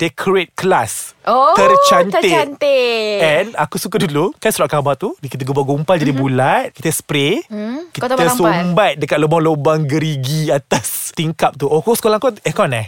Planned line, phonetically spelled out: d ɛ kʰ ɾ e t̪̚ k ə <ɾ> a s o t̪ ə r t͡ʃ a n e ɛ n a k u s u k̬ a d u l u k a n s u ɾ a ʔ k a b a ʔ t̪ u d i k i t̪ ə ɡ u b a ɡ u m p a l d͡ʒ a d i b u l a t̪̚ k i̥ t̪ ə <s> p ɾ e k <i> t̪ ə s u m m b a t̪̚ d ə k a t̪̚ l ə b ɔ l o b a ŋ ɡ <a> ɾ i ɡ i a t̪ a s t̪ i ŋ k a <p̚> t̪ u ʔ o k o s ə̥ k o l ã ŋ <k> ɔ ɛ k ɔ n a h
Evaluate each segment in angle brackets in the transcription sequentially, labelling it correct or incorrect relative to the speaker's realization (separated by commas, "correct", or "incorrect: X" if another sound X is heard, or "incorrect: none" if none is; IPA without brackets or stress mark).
incorrect: l, correct, correct, incorrect: ə, correct, correct